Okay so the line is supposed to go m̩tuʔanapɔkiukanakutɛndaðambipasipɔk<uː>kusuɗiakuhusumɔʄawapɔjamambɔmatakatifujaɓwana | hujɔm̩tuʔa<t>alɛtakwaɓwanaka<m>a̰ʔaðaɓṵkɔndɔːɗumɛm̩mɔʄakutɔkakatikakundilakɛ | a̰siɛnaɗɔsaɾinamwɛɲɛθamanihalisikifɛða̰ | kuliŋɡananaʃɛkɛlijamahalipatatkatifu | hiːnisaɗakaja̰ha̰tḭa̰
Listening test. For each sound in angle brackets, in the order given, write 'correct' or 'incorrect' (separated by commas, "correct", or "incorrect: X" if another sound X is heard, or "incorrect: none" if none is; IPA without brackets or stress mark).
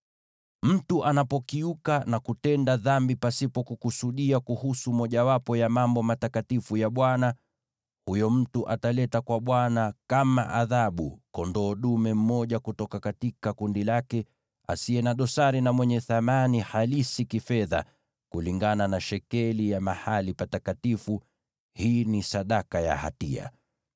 incorrect: u, correct, correct